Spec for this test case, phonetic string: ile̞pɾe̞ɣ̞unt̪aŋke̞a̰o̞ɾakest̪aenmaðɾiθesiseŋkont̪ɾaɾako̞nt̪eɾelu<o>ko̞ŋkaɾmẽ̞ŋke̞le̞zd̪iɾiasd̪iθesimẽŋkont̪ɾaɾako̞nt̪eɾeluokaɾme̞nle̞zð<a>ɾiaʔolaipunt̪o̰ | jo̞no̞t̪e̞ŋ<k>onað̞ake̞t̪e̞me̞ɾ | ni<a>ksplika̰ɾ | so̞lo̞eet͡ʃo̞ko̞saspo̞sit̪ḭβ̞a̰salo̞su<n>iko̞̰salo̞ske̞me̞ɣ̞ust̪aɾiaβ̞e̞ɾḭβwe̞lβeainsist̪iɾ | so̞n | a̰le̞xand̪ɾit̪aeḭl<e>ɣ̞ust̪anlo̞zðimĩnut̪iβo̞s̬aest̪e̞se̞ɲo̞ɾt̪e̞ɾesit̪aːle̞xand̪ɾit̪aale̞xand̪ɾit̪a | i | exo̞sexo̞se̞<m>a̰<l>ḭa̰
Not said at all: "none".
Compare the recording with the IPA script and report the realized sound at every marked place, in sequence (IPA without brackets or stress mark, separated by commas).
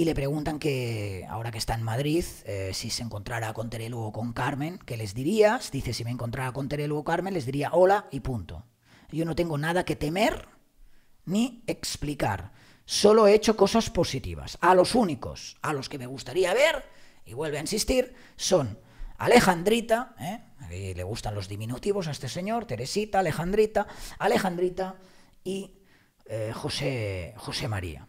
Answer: o, i, ɡ, e, n, e, m, ɾ